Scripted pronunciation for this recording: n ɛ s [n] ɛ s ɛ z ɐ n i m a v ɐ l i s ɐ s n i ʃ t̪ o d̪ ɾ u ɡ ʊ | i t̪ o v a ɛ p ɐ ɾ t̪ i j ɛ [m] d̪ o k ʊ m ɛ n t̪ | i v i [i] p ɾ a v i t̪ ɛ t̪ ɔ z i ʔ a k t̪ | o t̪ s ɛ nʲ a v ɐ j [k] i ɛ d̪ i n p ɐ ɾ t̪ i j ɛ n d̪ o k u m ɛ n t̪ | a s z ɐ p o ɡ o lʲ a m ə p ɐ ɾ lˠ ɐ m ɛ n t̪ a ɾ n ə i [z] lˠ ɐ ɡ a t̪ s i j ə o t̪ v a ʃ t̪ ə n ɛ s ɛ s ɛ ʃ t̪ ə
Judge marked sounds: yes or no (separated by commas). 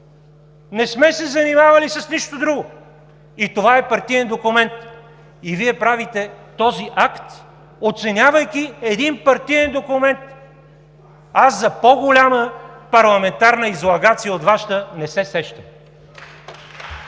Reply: no, no, no, yes, yes